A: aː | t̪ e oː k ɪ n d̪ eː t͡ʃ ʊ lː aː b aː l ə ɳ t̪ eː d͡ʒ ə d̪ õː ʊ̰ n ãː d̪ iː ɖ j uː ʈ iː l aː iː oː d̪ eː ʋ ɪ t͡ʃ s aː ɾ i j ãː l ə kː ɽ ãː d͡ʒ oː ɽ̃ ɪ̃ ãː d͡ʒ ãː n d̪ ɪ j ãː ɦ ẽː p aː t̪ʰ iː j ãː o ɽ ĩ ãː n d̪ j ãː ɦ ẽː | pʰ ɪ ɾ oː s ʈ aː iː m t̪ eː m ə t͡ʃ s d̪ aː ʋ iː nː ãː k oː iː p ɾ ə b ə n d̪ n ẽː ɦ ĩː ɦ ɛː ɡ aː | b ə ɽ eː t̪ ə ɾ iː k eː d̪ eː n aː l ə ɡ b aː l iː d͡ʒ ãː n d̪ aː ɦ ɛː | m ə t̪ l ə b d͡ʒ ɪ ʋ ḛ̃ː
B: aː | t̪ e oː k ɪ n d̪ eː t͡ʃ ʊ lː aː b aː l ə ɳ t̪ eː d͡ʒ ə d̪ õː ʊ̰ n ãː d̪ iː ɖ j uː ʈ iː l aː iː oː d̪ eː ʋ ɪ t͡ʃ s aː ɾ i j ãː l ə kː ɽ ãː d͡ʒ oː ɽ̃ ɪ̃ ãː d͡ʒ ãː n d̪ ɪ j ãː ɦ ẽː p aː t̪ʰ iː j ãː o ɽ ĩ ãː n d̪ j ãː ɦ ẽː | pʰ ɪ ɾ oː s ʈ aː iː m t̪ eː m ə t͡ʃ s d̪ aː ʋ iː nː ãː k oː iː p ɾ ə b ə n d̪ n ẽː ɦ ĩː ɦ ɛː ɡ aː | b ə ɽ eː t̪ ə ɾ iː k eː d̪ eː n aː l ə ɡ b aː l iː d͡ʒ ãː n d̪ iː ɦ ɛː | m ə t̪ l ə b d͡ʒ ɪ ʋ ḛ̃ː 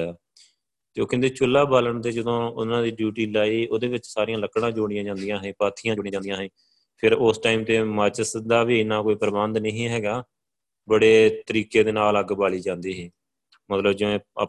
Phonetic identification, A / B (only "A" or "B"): B